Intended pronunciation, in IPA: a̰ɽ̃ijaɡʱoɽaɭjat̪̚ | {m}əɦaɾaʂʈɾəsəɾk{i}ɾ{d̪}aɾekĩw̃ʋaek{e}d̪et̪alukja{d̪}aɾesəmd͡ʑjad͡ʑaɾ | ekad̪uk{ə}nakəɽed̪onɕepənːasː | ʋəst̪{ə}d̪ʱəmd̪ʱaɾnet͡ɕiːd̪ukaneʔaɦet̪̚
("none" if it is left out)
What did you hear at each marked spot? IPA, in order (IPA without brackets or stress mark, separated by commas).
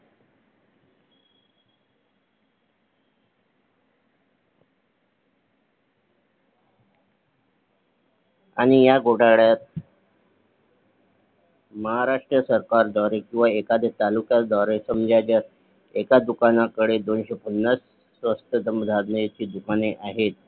m, a, d̪, a, d̪, a, ə